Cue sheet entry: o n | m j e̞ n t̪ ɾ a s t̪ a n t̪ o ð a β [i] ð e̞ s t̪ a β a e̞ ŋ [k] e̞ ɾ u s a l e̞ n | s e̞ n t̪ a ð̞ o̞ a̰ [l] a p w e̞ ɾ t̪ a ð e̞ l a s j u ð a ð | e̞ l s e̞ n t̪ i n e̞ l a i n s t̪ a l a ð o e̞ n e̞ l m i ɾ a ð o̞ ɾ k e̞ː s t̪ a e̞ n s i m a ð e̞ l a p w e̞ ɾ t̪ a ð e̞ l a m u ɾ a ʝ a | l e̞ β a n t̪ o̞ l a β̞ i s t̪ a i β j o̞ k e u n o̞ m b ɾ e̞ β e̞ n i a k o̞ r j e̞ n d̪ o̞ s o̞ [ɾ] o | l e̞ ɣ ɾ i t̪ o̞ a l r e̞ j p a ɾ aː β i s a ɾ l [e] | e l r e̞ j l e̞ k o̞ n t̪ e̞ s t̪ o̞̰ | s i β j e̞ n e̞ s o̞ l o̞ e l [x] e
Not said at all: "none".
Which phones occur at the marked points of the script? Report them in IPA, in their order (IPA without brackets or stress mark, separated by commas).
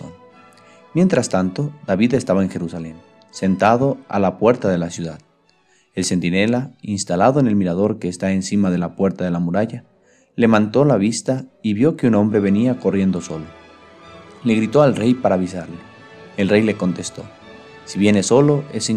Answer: i, x, l, l, e, s